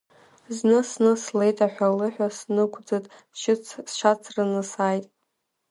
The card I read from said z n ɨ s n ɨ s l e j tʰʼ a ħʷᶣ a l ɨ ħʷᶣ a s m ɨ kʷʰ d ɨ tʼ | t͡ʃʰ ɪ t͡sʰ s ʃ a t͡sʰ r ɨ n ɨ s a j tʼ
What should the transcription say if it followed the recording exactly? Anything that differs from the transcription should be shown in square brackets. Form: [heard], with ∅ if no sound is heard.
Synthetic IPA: z n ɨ s n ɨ s l e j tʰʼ a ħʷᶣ a l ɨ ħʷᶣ a s [n] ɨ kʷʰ [d͡z] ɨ tʼ | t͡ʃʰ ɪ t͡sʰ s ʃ a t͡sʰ r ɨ n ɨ s a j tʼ